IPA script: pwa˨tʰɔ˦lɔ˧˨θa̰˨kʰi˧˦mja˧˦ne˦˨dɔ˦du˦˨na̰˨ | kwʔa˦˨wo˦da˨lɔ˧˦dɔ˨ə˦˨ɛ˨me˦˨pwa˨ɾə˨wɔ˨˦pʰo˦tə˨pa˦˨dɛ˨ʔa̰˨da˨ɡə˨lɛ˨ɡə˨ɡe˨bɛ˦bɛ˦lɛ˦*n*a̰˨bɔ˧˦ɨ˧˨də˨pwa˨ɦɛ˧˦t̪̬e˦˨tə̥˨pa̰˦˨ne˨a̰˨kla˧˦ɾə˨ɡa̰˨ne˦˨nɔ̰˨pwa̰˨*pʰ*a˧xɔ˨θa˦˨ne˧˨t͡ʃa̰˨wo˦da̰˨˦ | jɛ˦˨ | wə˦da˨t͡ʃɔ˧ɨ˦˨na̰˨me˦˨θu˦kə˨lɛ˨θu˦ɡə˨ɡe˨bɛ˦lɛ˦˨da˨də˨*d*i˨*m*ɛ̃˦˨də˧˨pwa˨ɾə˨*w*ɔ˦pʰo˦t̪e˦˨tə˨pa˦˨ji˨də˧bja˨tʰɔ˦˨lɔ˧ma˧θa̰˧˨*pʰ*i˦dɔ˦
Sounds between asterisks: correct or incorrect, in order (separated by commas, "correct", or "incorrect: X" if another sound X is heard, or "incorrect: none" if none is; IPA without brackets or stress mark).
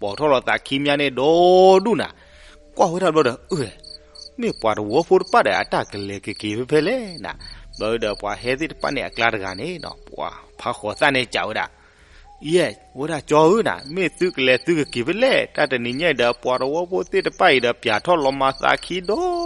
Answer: correct, correct, incorrect: n, incorrect: ɲ, correct, incorrect: kʰ